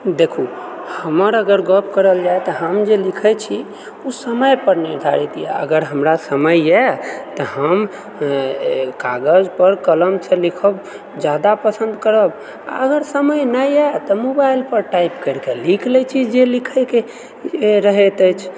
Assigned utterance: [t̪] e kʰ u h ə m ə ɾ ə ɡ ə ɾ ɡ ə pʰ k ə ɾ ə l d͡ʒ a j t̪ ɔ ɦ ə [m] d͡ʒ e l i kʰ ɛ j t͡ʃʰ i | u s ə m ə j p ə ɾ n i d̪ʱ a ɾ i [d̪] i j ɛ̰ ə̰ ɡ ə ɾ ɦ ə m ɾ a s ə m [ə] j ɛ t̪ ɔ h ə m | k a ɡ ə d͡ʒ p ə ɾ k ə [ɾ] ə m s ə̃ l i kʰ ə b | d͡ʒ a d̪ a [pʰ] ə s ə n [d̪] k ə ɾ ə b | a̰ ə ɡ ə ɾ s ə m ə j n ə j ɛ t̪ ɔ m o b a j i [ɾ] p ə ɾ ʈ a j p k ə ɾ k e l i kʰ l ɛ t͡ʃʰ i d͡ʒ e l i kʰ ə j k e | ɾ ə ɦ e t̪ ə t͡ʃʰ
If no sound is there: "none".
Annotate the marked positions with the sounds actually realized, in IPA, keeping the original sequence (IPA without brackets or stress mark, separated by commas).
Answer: d̪, m, t̪, ə, l, p, d̪, l